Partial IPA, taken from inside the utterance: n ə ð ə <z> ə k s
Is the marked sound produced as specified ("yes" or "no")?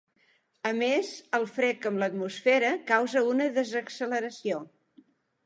yes